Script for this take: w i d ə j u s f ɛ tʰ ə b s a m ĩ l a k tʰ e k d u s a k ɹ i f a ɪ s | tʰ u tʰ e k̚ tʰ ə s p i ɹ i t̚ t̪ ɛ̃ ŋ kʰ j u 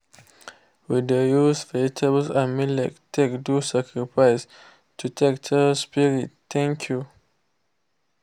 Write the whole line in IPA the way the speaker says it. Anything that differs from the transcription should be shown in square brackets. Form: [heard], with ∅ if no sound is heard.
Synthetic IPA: w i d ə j u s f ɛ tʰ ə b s a m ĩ l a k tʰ e k d u s a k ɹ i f a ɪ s | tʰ u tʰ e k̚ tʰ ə s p i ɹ i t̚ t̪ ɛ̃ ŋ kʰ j u